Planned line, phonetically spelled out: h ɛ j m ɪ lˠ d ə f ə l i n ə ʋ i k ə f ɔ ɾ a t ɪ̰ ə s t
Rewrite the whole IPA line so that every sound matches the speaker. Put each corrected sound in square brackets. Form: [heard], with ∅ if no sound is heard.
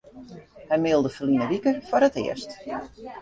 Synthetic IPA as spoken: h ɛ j m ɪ lˠ d ə f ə l i n ə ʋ i k ə f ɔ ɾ [ə] t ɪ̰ ə s t